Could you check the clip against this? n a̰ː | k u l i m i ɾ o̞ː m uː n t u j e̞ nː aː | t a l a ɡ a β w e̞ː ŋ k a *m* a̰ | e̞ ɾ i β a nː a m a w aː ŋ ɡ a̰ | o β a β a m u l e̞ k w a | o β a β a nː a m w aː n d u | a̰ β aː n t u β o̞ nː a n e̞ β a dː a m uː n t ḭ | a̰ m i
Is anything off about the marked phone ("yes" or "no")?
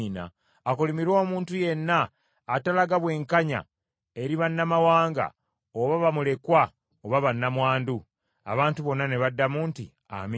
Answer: yes